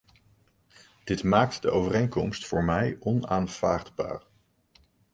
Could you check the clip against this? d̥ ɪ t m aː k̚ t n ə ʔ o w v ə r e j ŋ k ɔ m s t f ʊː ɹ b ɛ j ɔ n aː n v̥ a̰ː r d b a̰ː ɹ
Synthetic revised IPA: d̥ ɪ t m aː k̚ t d ə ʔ o w v ə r e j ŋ k ɔ m s t f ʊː ɹ m ɛ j ɔ n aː n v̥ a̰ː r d b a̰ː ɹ